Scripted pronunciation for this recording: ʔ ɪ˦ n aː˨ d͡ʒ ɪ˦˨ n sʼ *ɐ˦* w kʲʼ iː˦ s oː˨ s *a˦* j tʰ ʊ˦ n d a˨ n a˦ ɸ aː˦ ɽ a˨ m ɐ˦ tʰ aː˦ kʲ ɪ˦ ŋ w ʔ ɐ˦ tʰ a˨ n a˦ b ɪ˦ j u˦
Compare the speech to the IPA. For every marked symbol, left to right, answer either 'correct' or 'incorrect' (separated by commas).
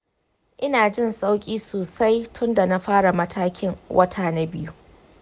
incorrect, correct